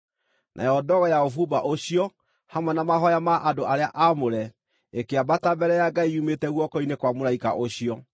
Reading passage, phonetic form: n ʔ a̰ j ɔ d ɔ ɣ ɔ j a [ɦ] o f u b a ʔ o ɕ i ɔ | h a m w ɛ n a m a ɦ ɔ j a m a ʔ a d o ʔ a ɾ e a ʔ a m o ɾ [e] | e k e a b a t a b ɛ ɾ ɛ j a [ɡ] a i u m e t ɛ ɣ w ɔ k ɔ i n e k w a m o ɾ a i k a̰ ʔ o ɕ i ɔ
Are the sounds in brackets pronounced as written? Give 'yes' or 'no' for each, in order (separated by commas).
no, no, yes